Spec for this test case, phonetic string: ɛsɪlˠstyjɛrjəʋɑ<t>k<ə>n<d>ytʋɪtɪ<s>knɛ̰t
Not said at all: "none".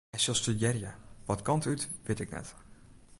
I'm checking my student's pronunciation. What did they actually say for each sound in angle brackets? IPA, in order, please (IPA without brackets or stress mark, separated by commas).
t, ɑ, t, none